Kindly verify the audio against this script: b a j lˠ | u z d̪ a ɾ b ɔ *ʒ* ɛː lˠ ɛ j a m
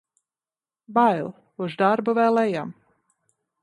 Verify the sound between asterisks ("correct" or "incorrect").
incorrect